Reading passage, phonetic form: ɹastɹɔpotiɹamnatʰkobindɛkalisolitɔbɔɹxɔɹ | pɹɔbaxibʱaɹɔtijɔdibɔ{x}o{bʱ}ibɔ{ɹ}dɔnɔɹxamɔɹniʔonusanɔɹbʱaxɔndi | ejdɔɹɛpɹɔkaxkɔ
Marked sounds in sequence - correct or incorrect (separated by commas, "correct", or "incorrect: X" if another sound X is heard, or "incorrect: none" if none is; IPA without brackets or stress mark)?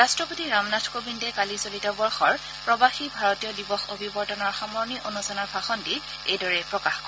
correct, correct, correct